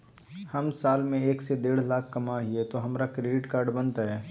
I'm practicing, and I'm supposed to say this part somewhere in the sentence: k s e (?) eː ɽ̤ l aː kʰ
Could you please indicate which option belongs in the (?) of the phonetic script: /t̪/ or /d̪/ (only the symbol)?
d̪